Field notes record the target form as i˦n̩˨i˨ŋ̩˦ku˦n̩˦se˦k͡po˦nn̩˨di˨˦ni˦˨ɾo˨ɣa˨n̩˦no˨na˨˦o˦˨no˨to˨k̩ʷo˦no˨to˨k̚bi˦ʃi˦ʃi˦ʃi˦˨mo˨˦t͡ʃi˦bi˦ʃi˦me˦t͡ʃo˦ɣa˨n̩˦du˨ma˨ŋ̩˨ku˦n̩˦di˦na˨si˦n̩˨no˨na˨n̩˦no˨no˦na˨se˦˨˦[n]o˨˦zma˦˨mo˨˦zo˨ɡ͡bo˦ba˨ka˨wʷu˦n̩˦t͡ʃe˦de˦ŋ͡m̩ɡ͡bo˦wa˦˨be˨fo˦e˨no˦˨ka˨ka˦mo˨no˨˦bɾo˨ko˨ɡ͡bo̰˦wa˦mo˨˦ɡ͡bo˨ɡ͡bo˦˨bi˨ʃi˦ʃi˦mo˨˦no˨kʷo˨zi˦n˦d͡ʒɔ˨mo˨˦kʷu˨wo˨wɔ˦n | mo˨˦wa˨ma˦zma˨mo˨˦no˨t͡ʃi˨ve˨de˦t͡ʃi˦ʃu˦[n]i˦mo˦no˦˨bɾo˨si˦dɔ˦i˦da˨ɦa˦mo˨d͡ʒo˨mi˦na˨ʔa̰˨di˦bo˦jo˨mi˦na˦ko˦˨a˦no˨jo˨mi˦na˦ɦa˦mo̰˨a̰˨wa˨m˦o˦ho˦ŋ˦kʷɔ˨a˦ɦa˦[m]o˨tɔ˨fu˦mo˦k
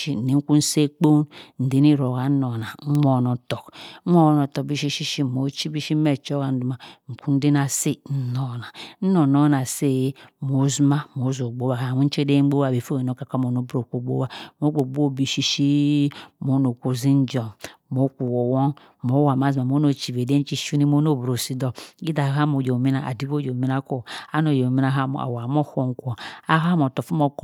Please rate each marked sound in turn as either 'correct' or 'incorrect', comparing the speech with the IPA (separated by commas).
incorrect, correct, correct